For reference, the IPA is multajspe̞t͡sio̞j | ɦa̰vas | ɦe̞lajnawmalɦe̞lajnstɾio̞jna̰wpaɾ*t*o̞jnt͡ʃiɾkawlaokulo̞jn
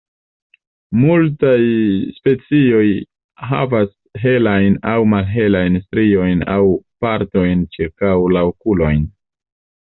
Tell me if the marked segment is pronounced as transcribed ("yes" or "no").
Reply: yes